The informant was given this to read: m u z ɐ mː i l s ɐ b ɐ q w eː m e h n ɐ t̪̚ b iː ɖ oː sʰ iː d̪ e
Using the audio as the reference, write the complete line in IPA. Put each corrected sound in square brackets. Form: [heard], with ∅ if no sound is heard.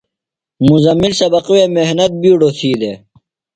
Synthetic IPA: m u z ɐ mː i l s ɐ b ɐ q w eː m e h n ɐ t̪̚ b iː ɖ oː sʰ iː d̪ e

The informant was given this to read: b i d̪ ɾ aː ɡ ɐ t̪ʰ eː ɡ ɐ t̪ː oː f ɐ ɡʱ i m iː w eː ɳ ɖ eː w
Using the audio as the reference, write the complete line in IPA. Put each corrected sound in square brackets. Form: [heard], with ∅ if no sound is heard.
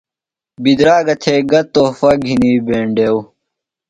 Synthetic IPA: b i d̪ ɾ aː ɡ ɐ t̪ʰ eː ɡ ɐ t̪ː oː f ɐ ɡʱ i [n] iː [b] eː ɳ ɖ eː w

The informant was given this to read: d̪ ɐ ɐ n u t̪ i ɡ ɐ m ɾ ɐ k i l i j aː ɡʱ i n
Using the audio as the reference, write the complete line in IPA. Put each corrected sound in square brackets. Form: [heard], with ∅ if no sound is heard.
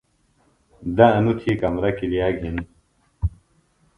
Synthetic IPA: d̪ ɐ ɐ n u [t̪ʰ] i [k] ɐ m ɾ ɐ k i l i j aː ɡʱ i n

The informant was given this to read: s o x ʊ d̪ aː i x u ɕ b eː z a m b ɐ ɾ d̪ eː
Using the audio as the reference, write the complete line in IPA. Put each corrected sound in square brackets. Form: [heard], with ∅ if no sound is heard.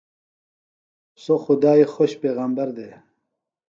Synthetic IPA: s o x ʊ d̪ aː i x [o] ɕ [p] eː [ɣ] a m b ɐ ɾ d̪ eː

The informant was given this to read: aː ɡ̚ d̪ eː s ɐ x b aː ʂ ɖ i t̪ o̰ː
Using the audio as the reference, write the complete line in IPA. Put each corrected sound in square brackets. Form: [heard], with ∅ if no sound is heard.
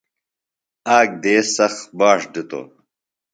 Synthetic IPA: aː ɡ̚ d̪ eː s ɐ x b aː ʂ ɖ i t̪ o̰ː

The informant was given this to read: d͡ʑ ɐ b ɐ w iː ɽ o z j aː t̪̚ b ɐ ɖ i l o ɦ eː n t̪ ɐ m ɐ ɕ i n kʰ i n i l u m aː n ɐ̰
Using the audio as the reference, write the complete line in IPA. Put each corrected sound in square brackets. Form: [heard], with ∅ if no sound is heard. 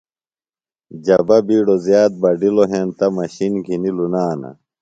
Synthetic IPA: d͡ʑ ɐ b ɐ [b] iː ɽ o z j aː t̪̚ b ɐ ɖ i l o ɦ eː n t̪ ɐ m ɐ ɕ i n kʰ i n i l u [n] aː n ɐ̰

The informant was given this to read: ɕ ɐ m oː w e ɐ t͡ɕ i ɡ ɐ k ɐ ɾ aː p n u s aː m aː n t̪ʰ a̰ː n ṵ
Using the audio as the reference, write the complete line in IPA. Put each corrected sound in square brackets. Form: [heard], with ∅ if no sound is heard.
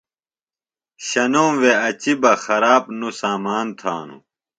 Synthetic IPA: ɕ ɐ [n] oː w e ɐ t͡ɕ i [b] ɐ [x] ɐ ɾ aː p n u s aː m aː n t̪ʰ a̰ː n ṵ

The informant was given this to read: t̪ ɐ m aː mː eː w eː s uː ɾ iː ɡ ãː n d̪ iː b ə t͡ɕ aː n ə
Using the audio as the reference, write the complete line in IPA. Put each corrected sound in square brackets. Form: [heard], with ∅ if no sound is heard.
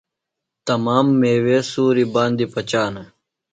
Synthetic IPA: t̪ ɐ m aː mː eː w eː s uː ɾ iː [b] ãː n d̪ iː [p] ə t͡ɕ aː n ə

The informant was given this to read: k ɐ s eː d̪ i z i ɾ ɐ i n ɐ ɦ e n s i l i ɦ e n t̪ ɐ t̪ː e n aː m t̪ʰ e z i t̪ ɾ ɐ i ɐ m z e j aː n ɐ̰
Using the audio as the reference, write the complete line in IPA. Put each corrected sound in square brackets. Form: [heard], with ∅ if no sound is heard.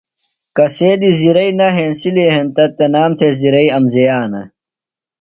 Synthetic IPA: k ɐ s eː d̪ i z i ɾ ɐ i n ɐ ɦ e n s i l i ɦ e n t̪ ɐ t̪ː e n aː m t̪ʰ e z i [∅] ɾ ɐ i ɐ m z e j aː n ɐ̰

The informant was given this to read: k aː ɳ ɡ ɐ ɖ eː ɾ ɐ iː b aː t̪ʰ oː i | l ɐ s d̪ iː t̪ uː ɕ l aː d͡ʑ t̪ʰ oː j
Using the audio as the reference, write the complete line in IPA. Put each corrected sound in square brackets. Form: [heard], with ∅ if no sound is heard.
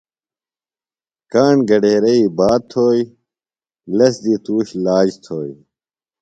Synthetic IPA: k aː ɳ ɡ ɐ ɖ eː ɾ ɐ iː b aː t̪ʰ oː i | l ɐ s d̪ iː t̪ uː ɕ l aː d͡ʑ t̪ʰ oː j

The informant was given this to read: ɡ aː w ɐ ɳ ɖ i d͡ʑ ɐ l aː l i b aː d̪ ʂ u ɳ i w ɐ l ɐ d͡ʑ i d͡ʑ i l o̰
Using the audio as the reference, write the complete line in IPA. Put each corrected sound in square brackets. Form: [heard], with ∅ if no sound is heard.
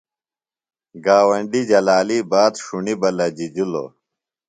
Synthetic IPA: ɡ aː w ɐ ɳ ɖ i d͡ʑ ɐ l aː l i b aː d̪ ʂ u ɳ i [b] ɐ l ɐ d͡ʑ i d͡ʑ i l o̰

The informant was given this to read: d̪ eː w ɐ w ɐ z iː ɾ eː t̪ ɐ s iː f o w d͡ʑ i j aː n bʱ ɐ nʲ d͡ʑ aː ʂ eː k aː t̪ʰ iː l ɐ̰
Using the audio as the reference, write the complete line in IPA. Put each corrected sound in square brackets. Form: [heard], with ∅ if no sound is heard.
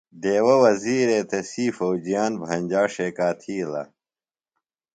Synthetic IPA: d̪ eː w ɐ w ɐ z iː ɾ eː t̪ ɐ s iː f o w d͡ʑ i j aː n bʱ ɐ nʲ d͡ʑ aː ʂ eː k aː t̪ʰ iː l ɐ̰

